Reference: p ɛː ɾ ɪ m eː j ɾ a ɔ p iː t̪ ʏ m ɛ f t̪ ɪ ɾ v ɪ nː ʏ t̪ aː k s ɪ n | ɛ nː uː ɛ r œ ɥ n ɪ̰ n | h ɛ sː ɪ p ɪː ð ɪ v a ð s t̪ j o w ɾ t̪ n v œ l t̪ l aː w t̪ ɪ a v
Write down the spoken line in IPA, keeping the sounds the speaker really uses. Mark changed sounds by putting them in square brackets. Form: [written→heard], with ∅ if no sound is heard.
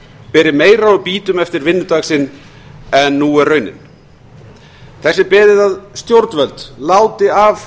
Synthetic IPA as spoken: p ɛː ɾ ɪ m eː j ɾ a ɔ p iː t̪ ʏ m ɛ f t̪ ɪ ɾ v ɪ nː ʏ t̪ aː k s ɪ n | ɛ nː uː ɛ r œ ɥ n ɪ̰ n | [h→θ] ɛ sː ɪ p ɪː ð ɪ [v→ð] a ð s t̪ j o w ɾ t̪ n v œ l t̪ l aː w t̪ ɪ a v